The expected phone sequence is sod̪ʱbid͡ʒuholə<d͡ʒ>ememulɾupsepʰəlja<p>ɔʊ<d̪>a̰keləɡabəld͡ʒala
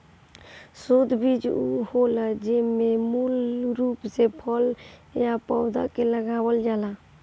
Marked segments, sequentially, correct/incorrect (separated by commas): correct, correct, correct